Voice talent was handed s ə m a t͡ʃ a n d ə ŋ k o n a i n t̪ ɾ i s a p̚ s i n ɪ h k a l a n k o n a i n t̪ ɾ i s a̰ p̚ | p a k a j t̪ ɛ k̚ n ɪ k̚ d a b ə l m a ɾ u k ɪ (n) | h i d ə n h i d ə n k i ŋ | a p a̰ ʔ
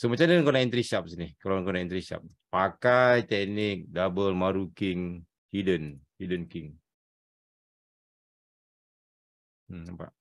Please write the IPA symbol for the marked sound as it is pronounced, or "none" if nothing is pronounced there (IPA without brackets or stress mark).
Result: ŋ